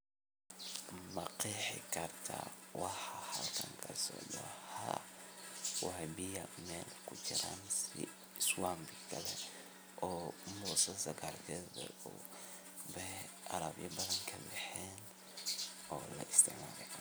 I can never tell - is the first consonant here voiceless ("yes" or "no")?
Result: no